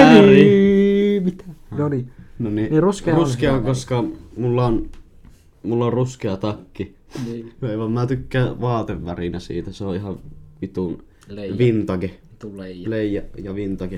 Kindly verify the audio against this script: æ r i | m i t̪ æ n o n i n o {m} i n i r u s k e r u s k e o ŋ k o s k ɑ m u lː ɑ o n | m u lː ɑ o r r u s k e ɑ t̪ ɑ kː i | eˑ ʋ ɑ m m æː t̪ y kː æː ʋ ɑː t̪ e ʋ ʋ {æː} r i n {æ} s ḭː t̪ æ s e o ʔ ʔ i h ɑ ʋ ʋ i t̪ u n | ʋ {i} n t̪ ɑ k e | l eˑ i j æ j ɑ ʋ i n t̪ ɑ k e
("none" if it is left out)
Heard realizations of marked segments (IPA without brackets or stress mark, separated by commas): n, æ, æ, i